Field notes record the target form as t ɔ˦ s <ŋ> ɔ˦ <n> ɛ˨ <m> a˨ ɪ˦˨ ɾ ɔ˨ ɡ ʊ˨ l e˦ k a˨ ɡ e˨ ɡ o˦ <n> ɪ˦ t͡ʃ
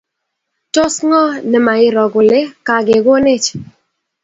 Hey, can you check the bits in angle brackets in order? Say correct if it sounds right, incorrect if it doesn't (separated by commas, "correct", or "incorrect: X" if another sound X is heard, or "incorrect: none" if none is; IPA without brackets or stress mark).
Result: correct, correct, correct, correct